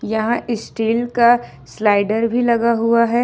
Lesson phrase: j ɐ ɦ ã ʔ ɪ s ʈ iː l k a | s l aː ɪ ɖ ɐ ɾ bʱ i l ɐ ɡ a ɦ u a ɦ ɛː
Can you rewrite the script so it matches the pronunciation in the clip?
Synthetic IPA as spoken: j ɐ ɦ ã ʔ ɪ s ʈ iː l k a | s l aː ɪ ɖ ə ɾ bʱ i l ɐ ɡ a ɦ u a ɦ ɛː